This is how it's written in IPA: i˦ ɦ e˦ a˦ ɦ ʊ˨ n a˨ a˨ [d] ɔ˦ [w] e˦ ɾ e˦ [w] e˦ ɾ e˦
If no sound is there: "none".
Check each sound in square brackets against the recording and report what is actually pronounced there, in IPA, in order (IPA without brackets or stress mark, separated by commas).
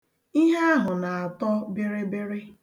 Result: t, b, b